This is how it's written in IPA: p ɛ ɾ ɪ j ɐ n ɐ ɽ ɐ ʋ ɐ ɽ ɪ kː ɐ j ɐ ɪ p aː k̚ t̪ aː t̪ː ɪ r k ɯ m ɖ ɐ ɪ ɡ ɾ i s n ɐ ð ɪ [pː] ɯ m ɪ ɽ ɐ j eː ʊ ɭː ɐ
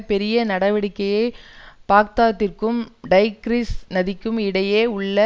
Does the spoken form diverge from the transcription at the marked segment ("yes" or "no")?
yes